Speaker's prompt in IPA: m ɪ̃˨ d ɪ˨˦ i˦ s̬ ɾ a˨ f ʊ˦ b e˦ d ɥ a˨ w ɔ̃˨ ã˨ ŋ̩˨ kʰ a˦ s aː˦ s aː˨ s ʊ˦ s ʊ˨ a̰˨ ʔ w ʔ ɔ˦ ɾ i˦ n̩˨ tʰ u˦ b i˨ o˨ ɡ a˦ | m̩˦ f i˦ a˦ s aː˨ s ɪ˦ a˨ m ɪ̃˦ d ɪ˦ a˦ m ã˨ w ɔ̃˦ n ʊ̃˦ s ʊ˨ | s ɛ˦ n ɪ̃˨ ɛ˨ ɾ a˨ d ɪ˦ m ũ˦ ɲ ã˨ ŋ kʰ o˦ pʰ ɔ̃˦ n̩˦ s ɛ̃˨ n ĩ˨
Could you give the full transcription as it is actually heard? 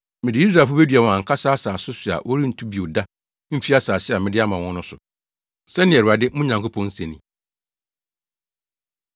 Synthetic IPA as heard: m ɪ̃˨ d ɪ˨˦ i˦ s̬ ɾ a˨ f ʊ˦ b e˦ d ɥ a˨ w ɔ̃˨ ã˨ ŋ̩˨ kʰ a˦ s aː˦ s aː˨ s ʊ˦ s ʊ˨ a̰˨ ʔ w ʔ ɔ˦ ɾ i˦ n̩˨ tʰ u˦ b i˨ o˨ d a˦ | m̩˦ f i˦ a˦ s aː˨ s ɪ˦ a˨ m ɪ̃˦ d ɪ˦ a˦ m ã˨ w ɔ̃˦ n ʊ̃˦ s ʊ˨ | s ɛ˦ n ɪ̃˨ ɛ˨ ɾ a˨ d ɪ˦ m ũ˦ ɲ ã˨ ŋ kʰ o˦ pʰ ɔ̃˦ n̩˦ s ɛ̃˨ n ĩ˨